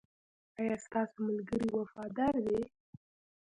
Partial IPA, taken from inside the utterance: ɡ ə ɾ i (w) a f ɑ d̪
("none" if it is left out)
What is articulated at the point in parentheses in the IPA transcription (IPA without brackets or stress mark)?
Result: w